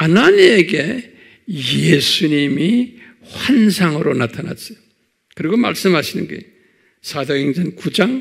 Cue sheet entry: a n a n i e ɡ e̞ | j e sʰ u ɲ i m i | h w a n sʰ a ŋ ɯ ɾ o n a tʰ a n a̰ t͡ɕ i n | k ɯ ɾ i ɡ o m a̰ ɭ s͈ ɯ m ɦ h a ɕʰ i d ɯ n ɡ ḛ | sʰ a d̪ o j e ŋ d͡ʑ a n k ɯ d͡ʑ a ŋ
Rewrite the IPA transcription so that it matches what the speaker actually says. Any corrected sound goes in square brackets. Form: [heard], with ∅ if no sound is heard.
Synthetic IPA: a n a n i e ɡ e̞ | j e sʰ u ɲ i m i | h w a n sʰ a ŋ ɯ ɾ o n a tʰ a n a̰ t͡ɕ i [∅] | k ɯ ɾ i ɡ o m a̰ ɭ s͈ ɯ m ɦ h a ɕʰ i [n] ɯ n ɡ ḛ | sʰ a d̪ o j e ŋ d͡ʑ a n k [u] d͡ʑ a ŋ

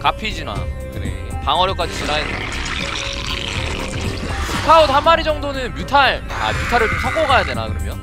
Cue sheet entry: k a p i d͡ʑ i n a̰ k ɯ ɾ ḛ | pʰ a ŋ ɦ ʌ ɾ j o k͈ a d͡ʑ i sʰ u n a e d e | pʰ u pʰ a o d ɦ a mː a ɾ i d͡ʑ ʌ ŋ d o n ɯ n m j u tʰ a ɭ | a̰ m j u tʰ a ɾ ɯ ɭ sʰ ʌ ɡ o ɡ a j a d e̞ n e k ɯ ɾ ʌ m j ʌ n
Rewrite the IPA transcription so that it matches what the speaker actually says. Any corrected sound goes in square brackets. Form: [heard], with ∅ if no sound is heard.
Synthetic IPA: k a [pʰ] i d͡ʑ i n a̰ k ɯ ɾ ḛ | [p] a ŋ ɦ ʌ ɾ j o k͈ a d͡ʑ i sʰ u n a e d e | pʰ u [kʰ] a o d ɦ a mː a ɾ i d͡ʑ ʌ ŋ d o n ɯ n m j u tʰ a ɭ | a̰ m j u tʰ a ɾ ɯ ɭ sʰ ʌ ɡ o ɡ a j a d e̞ n [a] k ɯ ɾ ʌ m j ʌ n

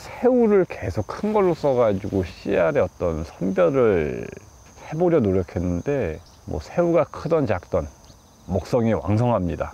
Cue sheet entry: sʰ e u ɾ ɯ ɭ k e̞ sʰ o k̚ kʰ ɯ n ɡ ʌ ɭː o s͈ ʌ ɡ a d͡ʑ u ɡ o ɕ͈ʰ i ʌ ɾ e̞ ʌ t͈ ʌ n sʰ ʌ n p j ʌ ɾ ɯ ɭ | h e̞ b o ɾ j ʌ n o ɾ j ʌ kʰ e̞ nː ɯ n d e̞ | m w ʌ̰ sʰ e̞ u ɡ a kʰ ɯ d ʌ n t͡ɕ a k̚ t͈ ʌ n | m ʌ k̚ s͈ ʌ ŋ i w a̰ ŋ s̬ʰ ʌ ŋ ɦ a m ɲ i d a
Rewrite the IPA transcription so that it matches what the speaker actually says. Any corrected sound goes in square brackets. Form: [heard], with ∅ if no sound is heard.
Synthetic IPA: sʰ e u ɾ ɯ ɭ k e̞ sʰ o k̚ kʰ ɯ n ɡ ʌ ɭː o s͈ ʌ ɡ a d͡ʑ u ɡ o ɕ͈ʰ i [a] ɾ e̞ ʌ t͈ ʌ n sʰ ʌ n [b] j ʌ ɾ ɯ ɭ | h e̞ b o ɾ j ʌ n o ɾ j ʌ kʰ e̞ nː ɯ n d e̞ | m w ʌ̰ sʰ e̞ u ɡ a kʰ ɯ d ʌ n t͡ɕ a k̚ t͈ ʌ n | m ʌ k̚ s͈ ʌ ŋ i w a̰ ŋ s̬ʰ ʌ ŋ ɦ a m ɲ i d a

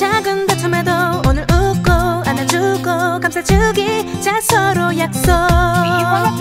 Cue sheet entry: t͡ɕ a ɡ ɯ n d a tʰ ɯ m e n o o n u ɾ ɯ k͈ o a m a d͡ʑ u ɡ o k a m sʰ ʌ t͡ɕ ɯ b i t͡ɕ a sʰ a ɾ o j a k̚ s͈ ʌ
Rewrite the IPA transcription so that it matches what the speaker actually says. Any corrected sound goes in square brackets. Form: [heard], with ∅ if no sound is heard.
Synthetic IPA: t͡ɕ a ɡ ɯ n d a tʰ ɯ m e [d] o o n [ɯ] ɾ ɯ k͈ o a [n] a d͡ʑ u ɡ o k a m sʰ [a] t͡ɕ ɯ [ɡ] i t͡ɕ a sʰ [ʌ] ɾ o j a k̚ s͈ ʌ

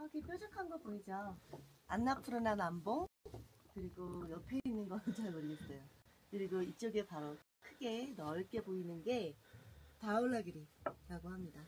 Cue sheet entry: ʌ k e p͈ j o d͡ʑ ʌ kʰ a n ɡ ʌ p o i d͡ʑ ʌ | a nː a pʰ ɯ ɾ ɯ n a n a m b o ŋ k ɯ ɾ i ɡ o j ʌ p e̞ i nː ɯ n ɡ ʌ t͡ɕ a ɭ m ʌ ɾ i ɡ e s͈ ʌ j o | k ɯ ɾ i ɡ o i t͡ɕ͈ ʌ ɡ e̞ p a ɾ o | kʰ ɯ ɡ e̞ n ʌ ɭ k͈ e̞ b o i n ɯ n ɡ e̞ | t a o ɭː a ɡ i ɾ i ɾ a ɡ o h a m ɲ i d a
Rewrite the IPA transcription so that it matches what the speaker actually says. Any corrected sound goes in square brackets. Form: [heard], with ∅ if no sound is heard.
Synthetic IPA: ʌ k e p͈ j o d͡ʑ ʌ kʰ a n ɡ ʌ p o i d͡ʑ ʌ | a nː a pʰ ɯ ɾ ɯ n a n a m b o ŋ k ɯ ɾ i ɡ o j ʌ [pʰ] e̞ i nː ɯ n ɡ ʌ t͡ɕ a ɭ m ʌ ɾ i ɡ e s͈ ʌ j o | k ɯ ɾ i ɡ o i t͡ɕ͈ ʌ ɡ e̞ p a ɾ o | kʰ ɯ ɡ e̞ n ʌ ɭ k͈ e̞ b o i n ɯ n ɡ e̞ | t a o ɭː a ɡ i ɾ i ɾ a ɡ o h a m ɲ i d a

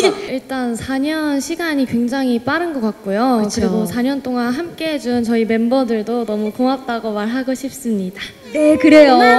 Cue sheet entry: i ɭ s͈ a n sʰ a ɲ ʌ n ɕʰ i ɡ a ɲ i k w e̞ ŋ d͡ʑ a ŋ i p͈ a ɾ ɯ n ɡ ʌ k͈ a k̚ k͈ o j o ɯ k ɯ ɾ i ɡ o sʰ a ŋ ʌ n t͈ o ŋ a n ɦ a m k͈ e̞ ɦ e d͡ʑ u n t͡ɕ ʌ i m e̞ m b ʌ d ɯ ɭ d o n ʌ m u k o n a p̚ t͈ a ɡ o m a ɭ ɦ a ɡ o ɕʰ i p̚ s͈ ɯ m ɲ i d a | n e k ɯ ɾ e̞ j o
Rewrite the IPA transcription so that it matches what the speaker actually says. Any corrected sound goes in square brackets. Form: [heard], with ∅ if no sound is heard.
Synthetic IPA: i ɭ [t͈] a n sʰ a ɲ ʌ n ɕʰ i ɡ a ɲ i k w e̞ ŋ d͡ʑ a ŋ i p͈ a ɾ ɯ n ɡ ʌ k͈ a k̚ k͈ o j o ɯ k ɯ ɾ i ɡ o sʰ a [ɲ] ʌ n t͈ o ŋ a n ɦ a m k͈ e̞ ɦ e d͡ʑ u n t͡ɕ ʌ i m e̞ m b ʌ d ɯ ɭ d o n ʌ m u k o [ŋ] a p̚ t͈ a ɡ o m a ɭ ɦ a ɡ o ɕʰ i p̚ s͈ ɯ m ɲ i d a | n e k ɯ ɾ e̞ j o

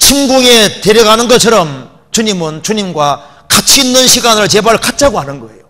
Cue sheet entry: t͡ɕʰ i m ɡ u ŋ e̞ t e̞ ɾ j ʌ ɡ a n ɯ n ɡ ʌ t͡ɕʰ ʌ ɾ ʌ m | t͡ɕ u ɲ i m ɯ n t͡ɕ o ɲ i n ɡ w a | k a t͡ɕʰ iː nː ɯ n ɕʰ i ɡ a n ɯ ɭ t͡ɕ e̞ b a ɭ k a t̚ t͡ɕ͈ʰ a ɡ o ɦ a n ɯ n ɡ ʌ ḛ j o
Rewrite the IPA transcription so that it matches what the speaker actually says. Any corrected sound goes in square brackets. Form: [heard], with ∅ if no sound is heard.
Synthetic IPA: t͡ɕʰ i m ɡ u ŋ e̞ t e̞ ɾ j ʌ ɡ a n ɯ n ɡ ʌ t͡ɕʰ ʌ ɾ ʌ m | t͡ɕ u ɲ i m ɯ n t͡ɕ [u] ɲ i [m] ɡ w a | k a t͡ɕʰ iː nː ɯ n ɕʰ i ɡ a n ɯ ɭ t͡ɕ e̞ b a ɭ k a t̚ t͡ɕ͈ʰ a ɡ o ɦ a n ɯ n ɡ ʌ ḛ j o

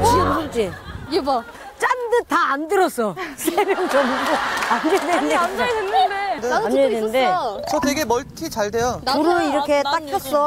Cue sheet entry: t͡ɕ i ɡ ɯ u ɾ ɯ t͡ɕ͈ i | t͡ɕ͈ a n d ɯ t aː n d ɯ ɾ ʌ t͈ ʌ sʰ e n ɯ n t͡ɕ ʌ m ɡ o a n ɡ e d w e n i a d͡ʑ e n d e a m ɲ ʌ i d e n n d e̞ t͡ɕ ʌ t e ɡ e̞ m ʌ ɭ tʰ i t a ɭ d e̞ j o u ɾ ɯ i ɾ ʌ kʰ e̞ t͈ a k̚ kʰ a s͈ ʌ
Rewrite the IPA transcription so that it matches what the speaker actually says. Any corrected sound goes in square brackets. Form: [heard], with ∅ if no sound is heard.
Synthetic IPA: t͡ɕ i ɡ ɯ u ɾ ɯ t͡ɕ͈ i | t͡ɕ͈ a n d ɯ t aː n d ɯ ɾ ʌ [s͈] ʌ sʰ e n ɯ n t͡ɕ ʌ m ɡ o a n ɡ e d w e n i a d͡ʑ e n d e a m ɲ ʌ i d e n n d e̞ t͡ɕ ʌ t e ɡ e̞ m ʌ ɭ tʰ i [t͡ɕ] a ɭ d e̞ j o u ɾ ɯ i ɾ ʌ kʰ e̞ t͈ a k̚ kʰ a s͈ ʌ

